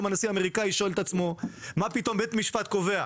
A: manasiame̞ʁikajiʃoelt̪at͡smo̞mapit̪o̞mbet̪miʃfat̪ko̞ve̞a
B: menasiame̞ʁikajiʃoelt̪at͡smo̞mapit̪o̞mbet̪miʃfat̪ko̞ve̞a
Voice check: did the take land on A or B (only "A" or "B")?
A